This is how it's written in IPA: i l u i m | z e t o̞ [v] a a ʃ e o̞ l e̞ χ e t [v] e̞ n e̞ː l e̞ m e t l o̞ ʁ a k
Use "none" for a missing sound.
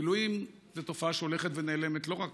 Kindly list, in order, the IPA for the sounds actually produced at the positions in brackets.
f, v

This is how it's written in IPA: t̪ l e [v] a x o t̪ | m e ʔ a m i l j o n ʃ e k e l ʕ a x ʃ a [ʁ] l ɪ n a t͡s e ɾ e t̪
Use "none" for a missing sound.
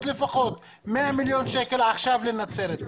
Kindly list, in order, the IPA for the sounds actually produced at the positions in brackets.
f, v

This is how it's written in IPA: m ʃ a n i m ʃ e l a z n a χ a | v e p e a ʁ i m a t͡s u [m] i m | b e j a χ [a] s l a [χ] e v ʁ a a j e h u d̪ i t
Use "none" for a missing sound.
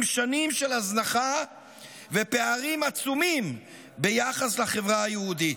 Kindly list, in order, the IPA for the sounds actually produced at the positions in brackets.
m, a, χ

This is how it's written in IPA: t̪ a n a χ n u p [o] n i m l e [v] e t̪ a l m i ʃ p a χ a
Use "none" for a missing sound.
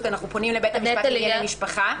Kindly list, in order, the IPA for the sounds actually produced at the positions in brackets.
o, b

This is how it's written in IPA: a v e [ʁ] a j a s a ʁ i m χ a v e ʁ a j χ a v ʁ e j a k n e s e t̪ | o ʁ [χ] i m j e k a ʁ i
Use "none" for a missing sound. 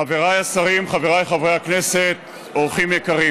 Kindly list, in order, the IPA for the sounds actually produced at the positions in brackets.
ʁ, χ

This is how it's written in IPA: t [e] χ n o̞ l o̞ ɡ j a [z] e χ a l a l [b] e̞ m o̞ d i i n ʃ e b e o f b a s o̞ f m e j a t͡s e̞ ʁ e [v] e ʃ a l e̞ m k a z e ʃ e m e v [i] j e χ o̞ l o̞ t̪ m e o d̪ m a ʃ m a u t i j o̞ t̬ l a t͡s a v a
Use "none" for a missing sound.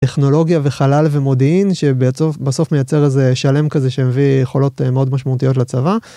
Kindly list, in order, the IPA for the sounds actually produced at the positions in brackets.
e, v, v, z, i

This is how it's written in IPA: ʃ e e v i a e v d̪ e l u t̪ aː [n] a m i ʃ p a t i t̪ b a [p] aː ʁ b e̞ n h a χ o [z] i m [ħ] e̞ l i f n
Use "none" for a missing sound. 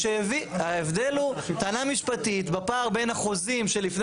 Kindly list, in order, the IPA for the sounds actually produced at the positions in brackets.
n, p, z, ʃ

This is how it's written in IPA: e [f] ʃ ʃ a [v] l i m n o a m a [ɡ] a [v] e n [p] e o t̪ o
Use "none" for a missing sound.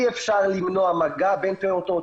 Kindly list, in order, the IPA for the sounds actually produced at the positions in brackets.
f, ʁ, ɡ, b, p

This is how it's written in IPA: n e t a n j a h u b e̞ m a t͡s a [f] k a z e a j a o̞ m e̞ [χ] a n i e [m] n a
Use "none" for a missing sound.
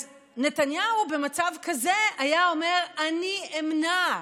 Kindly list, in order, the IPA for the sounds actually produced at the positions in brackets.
v, ʁ, m

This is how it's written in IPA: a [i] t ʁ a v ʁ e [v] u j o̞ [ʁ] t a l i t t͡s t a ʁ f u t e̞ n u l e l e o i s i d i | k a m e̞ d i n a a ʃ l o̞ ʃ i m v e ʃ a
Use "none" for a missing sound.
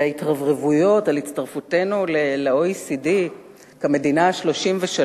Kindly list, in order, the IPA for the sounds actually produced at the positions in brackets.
i, v, none

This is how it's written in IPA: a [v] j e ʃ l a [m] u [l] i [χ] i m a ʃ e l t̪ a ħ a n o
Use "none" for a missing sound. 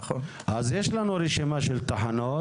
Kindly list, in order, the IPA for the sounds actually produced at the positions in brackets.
z, n, ɾ, ʃ

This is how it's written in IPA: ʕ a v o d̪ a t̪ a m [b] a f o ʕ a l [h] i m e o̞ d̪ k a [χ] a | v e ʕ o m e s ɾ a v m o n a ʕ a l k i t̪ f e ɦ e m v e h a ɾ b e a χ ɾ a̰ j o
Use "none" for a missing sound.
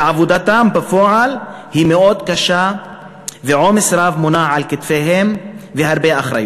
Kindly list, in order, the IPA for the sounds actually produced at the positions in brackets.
b, h, ʃ

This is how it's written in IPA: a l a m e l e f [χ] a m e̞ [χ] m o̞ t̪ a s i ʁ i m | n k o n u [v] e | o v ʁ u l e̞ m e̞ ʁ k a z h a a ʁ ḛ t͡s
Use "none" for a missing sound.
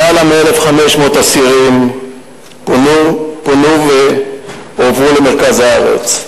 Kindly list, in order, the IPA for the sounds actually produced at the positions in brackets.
χ, ʃ, v

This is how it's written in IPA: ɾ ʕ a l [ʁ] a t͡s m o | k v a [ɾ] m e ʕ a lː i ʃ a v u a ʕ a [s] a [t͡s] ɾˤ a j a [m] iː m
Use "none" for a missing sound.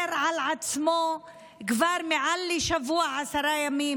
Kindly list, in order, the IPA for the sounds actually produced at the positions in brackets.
ʕ, ɾ, s, none, m

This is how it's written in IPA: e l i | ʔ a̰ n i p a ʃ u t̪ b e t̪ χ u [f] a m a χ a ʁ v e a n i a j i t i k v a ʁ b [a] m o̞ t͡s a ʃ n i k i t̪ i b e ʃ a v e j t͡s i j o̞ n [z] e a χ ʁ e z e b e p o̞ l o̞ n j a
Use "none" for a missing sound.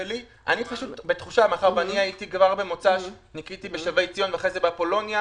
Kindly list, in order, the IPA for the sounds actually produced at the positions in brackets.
ʃ, e, v

